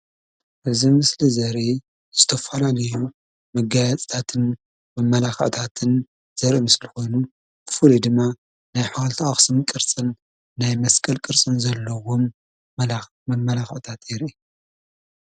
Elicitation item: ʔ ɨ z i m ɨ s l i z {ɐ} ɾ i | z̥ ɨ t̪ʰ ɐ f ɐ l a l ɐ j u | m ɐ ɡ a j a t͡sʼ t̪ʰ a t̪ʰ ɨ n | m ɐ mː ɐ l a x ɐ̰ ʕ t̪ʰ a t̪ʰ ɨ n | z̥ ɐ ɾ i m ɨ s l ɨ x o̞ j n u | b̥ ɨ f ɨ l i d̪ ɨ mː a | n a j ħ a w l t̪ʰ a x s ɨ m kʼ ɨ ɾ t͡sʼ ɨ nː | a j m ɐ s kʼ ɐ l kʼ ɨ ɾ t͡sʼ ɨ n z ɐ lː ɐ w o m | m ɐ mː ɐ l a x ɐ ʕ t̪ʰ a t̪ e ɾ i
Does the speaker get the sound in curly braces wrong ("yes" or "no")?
no